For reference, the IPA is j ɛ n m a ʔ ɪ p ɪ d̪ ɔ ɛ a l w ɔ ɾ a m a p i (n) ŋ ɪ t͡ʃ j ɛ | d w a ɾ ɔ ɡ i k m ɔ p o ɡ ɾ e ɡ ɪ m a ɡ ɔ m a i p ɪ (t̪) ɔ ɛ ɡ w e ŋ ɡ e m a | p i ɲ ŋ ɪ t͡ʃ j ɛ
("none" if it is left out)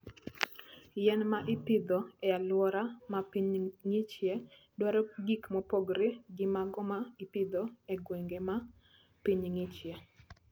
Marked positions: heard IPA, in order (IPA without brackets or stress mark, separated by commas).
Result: ɲ, d̪